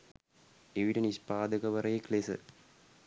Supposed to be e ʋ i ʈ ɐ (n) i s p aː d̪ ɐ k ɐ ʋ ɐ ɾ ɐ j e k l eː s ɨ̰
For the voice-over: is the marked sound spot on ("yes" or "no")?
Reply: yes